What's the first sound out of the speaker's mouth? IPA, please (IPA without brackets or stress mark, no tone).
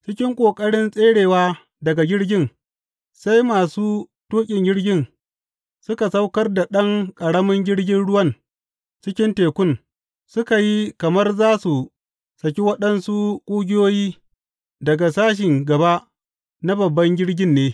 t͡ʃ